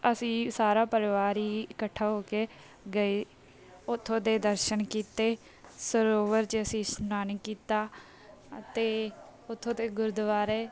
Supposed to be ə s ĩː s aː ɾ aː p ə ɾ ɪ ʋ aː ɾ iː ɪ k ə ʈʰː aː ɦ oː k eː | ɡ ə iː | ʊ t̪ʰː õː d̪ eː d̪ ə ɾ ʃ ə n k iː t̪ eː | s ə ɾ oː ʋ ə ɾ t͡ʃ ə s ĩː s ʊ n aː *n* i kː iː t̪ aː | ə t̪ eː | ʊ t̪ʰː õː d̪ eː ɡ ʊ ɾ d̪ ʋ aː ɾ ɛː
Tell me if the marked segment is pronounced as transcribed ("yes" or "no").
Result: yes